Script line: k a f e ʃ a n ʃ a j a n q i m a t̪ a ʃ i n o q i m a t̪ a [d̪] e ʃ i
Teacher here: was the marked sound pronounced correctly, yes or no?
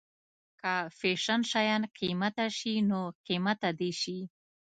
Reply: yes